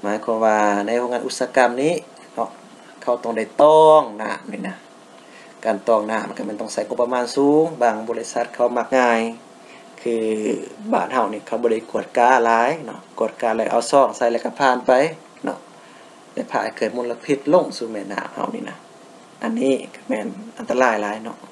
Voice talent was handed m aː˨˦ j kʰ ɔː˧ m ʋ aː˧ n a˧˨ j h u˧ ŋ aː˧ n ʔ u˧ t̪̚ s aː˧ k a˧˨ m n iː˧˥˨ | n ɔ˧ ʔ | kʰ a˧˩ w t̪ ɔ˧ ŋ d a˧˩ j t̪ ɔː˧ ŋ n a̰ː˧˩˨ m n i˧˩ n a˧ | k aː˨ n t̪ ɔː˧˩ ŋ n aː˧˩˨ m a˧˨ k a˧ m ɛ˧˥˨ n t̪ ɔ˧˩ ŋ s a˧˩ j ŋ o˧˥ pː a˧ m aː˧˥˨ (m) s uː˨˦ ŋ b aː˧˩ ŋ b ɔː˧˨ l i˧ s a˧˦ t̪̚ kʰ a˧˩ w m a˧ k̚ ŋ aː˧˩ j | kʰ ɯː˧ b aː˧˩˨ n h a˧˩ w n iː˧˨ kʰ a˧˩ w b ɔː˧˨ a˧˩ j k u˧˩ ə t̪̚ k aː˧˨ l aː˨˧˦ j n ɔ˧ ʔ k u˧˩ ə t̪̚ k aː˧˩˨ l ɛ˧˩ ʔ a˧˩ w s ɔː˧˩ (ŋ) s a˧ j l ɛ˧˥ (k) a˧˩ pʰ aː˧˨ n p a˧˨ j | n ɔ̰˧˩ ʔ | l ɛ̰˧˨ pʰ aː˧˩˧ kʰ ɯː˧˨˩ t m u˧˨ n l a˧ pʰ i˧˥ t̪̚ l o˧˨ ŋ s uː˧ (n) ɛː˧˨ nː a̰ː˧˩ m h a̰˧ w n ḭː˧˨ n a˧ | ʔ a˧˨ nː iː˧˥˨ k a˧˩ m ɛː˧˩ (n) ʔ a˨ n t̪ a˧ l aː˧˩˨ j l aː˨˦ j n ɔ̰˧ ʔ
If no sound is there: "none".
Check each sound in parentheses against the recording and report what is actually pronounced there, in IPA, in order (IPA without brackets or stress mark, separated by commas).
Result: n, ŋ, k, m, n